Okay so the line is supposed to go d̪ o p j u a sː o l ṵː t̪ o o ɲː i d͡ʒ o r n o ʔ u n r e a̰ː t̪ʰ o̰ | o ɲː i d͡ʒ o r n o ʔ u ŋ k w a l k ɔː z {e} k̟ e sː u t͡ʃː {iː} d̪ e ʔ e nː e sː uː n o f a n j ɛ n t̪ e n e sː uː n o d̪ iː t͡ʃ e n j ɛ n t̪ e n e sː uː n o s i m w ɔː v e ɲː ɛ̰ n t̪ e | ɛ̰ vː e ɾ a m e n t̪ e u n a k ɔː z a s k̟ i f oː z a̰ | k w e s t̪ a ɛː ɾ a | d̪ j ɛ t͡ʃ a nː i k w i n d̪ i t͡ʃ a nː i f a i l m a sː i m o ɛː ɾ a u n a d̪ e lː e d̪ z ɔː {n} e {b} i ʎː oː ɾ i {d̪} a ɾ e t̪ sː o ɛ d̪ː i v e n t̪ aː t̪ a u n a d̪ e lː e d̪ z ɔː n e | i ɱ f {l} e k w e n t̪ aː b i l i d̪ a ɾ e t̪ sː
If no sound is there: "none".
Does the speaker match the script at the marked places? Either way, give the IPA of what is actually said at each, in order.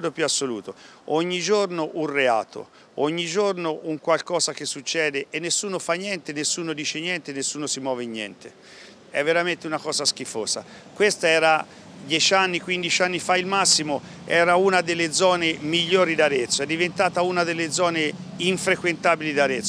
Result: a, ɛː, n, m, d̪, ɾ

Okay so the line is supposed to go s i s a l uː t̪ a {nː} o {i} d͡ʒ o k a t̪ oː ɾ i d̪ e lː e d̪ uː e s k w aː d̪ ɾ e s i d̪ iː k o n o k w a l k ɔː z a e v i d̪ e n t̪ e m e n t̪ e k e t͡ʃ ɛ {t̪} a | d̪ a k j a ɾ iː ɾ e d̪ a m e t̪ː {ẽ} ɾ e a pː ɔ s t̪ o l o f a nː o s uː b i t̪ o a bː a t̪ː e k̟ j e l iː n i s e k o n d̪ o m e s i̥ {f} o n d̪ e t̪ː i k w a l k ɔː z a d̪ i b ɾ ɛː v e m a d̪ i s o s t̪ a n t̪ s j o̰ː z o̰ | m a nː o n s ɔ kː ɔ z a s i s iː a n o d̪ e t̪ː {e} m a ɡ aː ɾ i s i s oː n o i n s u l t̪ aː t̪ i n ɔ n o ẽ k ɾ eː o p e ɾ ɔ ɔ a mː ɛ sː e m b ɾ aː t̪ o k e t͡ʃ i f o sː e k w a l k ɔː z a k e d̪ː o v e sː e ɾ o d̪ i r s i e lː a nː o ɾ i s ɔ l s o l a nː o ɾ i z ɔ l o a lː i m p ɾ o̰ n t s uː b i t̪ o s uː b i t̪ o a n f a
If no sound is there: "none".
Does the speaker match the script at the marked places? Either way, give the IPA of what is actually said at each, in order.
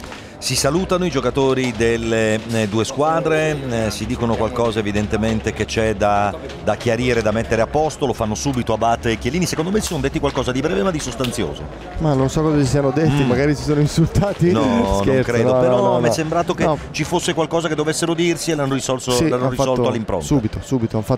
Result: n, i, d̪, e, s, i

